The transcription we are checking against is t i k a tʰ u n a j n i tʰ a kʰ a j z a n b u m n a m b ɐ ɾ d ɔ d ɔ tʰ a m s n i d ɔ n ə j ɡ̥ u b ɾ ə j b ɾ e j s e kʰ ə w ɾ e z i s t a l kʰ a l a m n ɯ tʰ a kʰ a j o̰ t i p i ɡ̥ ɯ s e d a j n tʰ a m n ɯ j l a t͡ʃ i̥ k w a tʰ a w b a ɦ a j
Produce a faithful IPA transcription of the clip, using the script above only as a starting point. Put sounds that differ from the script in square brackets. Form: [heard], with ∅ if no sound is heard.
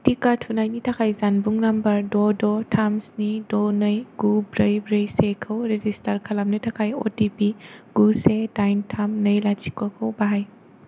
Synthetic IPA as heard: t i k a tʰ u n a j n i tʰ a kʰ a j z a n b u [ŋ] n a m b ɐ ɾ d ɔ d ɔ tʰ a m s n i d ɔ n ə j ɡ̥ u b ɾ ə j b ɾ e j s e kʰ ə w ɾ e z i s t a [ɾ] kʰ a l a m n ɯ tʰ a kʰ a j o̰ t i p i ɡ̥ [u] s e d a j n tʰ a m n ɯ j l a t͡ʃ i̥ k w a [kʰ] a w b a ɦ a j

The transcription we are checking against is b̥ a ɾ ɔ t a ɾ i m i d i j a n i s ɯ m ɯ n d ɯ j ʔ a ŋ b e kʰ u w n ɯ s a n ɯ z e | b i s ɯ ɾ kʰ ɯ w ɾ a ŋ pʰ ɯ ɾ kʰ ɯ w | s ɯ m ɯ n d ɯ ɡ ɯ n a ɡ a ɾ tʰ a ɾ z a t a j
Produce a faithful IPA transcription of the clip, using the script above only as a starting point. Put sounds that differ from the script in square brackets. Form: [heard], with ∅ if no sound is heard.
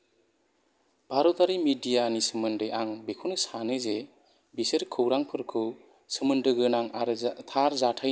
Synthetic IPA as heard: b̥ a ɾ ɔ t a ɾ i m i d i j a n i s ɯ m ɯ n d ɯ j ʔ a ŋ b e kʰ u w n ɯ s a n ɯ z e | b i s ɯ ɾ kʰ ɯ w ɾ a ŋ pʰ ɯ ɾ kʰ ɯ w | s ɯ m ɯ n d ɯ ɡ ɯ n a [ŋ] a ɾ tʰ a ɾ z a [tʰ] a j

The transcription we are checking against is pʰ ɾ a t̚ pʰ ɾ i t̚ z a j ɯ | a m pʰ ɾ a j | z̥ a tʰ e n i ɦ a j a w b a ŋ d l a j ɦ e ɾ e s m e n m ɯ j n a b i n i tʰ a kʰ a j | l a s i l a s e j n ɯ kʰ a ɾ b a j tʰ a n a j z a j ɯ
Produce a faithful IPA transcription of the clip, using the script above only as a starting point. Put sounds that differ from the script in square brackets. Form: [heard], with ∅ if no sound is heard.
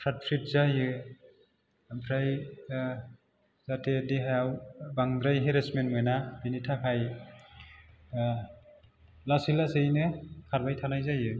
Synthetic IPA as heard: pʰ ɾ a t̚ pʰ ɾ i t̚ z a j ɯ | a m pʰ ɾ a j | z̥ a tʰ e [d] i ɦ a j a w b a ŋ d [ɾ] a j ɦ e ɾ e s m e n m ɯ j n a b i n i tʰ a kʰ a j | l a s i l a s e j n ɯ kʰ a ɾ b a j tʰ a n a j z a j ɯ

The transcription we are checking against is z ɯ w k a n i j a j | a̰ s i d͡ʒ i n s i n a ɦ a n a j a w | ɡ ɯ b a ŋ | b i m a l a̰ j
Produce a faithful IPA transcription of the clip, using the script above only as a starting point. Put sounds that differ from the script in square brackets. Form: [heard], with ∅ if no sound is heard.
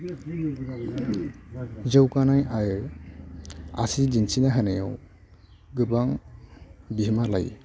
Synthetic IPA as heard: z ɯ w k a n [a] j a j | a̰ s i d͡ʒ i n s i n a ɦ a n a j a w | ɡ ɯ b a ŋ | b i m a l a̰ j

